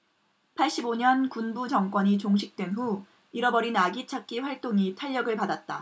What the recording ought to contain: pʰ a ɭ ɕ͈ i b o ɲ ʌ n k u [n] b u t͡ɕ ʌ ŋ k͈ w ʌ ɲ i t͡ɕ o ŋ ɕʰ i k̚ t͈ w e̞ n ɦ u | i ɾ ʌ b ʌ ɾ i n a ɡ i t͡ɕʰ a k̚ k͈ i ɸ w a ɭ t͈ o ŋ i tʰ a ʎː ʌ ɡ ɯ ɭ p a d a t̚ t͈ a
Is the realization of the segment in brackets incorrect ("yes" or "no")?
no